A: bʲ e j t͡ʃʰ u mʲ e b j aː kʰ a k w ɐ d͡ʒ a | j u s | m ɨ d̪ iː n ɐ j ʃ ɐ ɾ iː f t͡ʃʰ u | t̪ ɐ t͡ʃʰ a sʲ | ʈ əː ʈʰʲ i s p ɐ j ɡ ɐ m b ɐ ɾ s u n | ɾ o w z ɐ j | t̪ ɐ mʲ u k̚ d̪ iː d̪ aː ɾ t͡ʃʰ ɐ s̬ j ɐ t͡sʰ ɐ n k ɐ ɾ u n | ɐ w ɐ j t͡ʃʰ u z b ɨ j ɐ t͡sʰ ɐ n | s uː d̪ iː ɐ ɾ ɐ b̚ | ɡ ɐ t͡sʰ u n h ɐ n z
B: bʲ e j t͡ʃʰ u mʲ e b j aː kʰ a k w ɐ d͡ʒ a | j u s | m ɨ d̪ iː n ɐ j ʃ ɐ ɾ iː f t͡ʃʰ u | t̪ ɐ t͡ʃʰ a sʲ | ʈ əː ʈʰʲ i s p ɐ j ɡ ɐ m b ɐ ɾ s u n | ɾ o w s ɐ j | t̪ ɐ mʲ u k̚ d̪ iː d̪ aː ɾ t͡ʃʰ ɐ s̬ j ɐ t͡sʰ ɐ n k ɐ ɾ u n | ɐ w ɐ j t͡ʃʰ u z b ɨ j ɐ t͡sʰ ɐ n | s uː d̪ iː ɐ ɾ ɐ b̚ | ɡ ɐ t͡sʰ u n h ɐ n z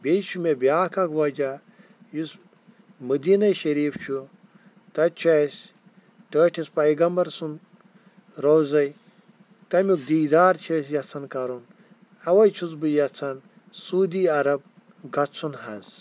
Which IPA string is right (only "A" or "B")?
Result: A